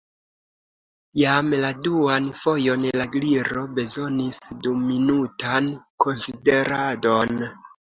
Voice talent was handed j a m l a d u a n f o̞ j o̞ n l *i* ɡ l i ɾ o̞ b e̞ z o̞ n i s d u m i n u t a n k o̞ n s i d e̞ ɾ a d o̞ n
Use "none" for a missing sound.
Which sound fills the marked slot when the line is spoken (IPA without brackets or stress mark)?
a